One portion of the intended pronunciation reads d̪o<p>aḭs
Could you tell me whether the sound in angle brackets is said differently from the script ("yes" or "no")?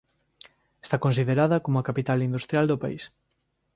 no